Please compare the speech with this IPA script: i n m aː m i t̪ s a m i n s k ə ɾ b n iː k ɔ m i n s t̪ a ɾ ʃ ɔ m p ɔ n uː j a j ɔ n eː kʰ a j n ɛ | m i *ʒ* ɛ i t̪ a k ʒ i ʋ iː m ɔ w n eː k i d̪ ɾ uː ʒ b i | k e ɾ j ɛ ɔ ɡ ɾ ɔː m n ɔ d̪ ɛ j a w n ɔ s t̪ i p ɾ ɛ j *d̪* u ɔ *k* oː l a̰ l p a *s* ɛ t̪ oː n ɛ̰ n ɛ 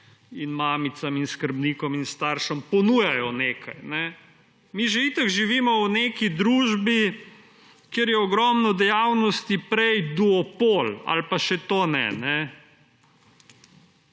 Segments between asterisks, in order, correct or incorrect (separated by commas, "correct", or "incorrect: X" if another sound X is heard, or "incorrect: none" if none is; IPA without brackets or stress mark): correct, correct, incorrect: p, incorrect: ʃ